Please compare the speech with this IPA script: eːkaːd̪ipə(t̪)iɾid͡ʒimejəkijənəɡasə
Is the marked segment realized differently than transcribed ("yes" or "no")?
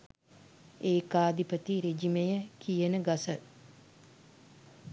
no